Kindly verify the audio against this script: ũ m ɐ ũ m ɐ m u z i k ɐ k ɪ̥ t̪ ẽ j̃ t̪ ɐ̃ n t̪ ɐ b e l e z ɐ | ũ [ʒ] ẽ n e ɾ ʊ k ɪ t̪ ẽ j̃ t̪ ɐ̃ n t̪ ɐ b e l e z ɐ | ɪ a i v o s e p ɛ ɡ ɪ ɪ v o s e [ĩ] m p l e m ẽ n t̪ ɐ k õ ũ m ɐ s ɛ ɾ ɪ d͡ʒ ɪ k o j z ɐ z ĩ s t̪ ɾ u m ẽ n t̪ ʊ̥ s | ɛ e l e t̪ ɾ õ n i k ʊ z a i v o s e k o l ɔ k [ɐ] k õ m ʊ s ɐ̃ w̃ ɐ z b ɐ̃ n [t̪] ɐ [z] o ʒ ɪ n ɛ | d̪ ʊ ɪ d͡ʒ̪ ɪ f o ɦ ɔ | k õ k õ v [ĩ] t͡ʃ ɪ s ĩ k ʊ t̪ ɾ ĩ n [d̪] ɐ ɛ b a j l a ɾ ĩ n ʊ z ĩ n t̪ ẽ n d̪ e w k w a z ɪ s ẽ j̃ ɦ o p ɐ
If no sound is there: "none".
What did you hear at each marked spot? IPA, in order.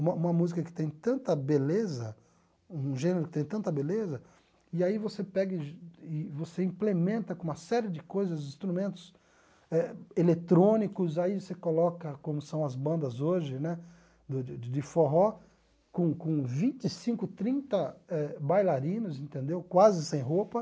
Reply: ʒ, ĩ, ɐ, d̪, z, ĩ, t̪

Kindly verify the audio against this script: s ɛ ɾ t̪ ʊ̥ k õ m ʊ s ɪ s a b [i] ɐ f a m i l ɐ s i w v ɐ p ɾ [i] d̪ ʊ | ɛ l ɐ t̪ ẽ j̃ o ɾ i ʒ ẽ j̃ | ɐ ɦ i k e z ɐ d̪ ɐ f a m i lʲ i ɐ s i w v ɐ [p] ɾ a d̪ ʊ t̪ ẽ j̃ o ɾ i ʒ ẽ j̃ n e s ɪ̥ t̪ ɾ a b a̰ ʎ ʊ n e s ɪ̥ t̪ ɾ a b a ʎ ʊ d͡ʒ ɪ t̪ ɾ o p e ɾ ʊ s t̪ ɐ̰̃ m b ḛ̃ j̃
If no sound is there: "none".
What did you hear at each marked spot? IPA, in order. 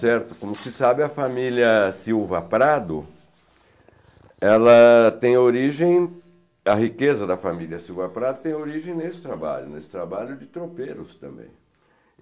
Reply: ɪ, a, p

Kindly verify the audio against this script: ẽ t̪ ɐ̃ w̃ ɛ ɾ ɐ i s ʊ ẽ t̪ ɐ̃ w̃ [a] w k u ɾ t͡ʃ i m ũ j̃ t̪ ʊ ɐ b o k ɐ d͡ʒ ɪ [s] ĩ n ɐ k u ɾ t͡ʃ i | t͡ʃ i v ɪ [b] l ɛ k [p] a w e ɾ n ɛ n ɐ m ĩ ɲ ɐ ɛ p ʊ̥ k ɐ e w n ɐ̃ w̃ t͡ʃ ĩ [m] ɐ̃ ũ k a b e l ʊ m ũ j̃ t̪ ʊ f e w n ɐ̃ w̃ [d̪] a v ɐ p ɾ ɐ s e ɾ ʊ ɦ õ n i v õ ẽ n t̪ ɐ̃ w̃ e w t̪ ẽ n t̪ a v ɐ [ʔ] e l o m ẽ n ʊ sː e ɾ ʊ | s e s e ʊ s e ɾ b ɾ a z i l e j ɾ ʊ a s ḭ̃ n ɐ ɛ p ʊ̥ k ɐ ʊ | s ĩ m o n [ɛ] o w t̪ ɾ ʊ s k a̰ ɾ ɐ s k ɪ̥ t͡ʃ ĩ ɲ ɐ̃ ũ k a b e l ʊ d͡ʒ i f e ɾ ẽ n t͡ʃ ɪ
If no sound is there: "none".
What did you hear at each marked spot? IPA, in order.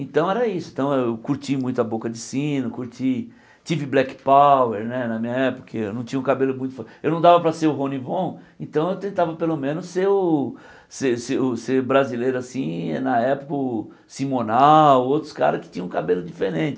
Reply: e, s, b, p, ɲ, d̪, p, a

